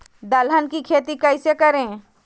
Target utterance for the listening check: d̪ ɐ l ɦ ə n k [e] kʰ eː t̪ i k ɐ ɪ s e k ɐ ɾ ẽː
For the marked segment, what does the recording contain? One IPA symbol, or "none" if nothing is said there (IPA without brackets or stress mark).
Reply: i